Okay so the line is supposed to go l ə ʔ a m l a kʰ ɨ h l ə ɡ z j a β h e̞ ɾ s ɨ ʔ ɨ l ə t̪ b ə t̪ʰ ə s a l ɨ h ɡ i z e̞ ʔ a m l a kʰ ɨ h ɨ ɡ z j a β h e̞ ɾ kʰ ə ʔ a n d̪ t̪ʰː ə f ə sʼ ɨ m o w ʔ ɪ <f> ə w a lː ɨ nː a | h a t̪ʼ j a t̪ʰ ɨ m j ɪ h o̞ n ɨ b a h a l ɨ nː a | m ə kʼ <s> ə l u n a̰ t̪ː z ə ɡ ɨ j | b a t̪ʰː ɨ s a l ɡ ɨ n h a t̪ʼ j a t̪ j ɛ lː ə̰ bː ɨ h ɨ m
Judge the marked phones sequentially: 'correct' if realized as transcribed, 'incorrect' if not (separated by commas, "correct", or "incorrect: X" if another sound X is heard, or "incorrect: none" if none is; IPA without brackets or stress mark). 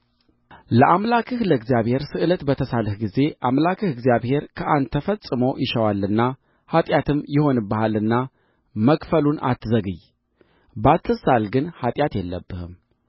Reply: incorrect: ʃ, incorrect: f